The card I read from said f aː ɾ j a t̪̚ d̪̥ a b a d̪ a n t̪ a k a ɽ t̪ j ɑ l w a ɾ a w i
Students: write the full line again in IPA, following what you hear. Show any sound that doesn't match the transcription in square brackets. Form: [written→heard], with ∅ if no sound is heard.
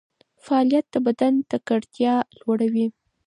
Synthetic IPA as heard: f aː [ɾ→l] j a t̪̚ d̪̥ [a→ə] b a d̪ a n t̪ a k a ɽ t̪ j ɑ l w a [ɾ→ɽ] a w i